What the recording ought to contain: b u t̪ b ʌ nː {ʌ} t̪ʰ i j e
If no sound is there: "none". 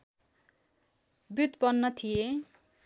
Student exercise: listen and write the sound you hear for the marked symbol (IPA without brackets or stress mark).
ʌ